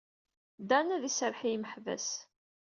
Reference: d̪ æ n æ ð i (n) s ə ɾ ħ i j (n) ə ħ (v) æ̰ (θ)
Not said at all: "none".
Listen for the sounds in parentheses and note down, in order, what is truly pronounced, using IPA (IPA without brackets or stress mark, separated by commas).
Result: none, m, v, s